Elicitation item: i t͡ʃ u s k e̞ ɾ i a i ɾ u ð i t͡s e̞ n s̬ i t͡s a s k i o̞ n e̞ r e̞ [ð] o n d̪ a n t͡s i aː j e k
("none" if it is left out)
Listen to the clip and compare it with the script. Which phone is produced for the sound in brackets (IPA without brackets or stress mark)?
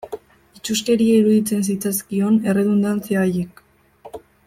ð